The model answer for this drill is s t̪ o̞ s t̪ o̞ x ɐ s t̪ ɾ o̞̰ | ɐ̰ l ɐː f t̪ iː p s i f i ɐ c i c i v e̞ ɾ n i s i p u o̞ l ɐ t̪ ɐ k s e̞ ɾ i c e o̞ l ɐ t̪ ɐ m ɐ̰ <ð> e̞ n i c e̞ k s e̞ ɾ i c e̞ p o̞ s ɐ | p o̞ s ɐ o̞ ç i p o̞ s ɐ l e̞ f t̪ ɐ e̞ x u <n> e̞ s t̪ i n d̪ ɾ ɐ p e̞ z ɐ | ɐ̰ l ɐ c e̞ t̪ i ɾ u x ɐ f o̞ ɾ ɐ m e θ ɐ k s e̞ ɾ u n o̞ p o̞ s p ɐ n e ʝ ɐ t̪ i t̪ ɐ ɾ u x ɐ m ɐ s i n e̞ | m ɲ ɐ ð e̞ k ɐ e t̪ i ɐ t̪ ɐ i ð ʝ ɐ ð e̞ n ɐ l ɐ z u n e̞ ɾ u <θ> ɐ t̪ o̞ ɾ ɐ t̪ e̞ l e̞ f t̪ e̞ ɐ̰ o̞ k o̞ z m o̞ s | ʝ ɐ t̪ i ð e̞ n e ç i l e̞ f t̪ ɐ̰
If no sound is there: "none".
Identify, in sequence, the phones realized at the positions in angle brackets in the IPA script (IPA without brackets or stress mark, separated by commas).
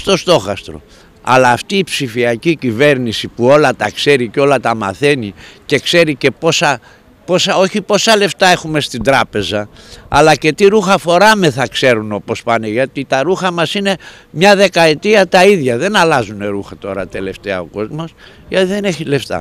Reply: θ, m, x